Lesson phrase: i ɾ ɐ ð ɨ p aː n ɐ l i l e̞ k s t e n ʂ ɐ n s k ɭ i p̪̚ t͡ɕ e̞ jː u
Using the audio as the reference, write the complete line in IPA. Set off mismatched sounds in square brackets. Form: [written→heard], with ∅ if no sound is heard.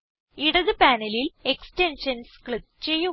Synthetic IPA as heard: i [ɾ→ɽ] ɐ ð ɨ p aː n ɐ l i l e̞ k s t e n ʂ ɐ n s k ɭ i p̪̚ t͡ɕ e̞ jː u